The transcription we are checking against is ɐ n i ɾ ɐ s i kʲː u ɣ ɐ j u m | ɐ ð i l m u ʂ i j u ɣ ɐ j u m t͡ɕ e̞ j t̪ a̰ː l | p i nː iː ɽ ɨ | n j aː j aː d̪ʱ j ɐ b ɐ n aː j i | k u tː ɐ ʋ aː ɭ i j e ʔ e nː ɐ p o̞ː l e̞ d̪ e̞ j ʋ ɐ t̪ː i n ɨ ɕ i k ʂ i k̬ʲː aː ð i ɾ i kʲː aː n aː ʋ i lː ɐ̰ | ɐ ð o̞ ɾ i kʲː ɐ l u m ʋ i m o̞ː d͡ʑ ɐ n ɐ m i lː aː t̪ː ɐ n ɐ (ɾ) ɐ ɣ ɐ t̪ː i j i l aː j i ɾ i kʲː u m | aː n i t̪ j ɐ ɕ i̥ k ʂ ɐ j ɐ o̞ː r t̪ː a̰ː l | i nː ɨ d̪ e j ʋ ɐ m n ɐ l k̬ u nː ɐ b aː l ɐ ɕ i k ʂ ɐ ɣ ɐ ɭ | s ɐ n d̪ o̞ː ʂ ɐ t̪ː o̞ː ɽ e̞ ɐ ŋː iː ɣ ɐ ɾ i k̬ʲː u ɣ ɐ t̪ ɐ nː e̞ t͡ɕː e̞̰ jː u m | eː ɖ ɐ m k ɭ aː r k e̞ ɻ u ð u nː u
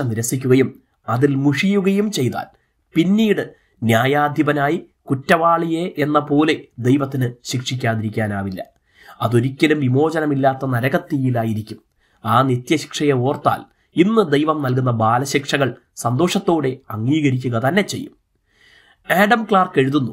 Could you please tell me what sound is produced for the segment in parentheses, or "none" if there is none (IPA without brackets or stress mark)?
ɾ